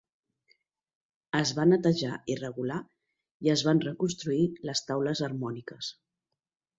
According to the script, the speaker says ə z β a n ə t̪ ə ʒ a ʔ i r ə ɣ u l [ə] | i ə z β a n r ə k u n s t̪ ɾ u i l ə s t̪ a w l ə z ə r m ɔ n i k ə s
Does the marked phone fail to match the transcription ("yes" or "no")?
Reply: yes